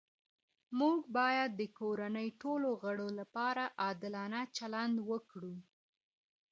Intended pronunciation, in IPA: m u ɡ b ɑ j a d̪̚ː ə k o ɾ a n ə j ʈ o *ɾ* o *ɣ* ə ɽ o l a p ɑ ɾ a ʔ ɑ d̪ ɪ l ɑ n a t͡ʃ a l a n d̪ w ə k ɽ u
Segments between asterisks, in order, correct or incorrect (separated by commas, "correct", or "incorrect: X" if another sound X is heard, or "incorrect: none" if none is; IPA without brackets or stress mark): incorrect: l, correct